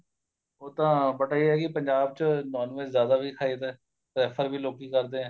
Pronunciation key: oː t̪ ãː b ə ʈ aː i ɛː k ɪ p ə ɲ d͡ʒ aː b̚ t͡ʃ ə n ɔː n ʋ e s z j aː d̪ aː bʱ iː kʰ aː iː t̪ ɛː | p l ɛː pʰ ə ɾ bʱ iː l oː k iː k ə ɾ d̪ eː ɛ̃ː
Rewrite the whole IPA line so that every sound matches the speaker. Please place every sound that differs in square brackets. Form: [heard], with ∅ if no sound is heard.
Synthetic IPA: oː t̪ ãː b ə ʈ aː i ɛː k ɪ p ə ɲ d͡ʒ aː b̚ t͡ʃ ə n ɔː n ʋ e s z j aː d̪ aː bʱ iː kʰ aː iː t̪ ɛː | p [ɾ] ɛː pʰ ə ɾ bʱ iː l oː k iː k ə ɾ d̪ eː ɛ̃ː